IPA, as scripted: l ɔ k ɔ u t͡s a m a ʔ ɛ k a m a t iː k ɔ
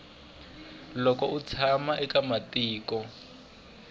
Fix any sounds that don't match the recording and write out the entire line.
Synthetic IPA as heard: l ɔ k ɔ u t͡sʰ a m a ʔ ɛ k a m a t iː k ɔ

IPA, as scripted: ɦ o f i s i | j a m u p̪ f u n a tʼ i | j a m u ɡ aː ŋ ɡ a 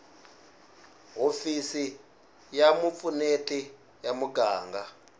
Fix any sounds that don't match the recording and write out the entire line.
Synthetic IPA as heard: ɦ o f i s i | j a m u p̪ f u n e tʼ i | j a m u ɡ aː ŋ ɡ a

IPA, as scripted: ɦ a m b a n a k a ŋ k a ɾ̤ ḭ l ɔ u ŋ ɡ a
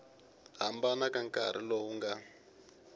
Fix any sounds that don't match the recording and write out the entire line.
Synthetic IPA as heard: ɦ a m b a n a k a ŋ k a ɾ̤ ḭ l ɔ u ŋ ɡ a

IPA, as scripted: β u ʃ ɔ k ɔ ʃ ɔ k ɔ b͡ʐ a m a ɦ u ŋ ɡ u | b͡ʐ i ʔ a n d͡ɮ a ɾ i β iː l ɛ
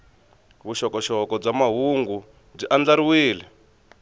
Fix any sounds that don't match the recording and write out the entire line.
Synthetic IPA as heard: β u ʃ ɔ k ɔ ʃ ɔ k ɔ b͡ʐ a m a ɦ u ŋ ɡ u | b͡ʐ i ʔ a n d͡ɮ a ɾ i w iː l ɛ

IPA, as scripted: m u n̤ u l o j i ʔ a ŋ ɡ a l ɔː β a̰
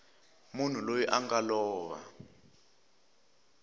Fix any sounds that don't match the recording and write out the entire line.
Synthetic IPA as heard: m u n̤ u l o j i ʔ a ŋ ɡ a l ɔː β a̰

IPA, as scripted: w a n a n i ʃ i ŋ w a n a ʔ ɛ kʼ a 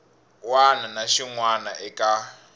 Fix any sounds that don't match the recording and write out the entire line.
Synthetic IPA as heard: w a n a n a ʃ i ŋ w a n a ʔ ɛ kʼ a

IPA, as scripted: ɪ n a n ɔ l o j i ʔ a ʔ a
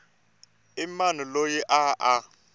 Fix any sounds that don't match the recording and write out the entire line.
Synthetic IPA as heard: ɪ m a n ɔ l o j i ʔ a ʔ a

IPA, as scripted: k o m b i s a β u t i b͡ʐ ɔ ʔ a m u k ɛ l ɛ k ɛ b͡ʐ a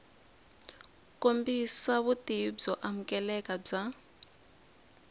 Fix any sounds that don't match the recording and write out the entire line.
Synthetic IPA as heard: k o m b i s a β u t i b͡ʐ ɔ ʔ a m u k ɛ l ɛ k a b͡ʐ a

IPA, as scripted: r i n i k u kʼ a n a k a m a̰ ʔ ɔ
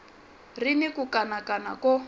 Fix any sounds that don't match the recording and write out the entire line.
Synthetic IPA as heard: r i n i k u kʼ a n a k a n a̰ k ɔ

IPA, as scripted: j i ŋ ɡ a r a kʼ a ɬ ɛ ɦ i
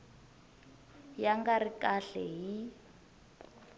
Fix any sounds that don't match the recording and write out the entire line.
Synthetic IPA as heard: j a ŋ ɡ a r i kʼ a ɬ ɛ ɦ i

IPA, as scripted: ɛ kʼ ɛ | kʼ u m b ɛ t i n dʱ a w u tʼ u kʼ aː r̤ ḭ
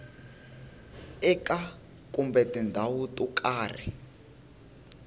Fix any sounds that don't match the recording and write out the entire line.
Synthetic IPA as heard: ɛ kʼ a | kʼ u m b ɛ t i n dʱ a w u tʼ u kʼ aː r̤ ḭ

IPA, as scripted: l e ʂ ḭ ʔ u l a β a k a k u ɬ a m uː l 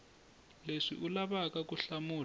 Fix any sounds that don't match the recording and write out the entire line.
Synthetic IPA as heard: l e ʂ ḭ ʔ u l a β a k a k u ɬ a m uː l

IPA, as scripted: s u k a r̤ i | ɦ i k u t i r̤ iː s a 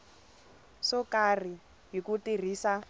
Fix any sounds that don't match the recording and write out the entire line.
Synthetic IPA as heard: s ɔ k a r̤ i | ɦ i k u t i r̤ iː s a

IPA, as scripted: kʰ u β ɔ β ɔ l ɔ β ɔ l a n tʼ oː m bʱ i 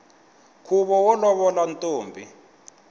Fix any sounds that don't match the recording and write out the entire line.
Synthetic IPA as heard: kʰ u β ɔ w ɔ l ɔ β ɔ l a n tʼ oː m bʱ i

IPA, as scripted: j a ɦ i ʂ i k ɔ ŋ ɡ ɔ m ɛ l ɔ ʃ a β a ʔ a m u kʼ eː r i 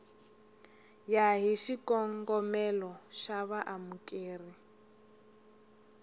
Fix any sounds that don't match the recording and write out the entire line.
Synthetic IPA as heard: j a ɦ i ʃ i k ɔ ŋ ɡ ɔ m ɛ l ɔ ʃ a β a ʔ a m u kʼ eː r i

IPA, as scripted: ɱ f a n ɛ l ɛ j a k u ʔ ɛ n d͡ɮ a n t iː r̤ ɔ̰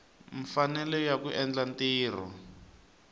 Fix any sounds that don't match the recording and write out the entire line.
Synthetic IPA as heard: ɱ f a n ɛ l ɛ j a k u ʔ ɛ n d͡ɮ a n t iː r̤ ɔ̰

